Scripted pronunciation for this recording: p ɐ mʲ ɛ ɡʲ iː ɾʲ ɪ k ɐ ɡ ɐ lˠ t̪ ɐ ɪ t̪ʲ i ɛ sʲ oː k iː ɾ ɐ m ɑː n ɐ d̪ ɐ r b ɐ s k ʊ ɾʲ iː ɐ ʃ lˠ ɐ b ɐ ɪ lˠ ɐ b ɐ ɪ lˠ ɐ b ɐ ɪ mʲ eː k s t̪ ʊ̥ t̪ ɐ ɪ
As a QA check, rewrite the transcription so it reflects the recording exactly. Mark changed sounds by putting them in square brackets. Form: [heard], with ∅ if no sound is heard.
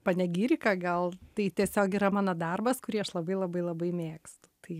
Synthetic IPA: p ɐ [nʲ] ɛ ɡʲ iː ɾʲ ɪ k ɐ ɡ ɐ lˠ t̪ ɐ ɪ t̪ʲ i ɛ sʲ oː k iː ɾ ɐ m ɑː n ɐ d̪ ɐ r b ɐ s k ʊ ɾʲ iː ɐ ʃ lˠ ɐ b ɐ ɪ lˠ ɐ b ɐ ɪ lˠ ɐ b ɐ ɪ mʲ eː k s t̪ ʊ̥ t̪ ɐ ɪ